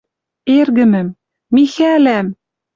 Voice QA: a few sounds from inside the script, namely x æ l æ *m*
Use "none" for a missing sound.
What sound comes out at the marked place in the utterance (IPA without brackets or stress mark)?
m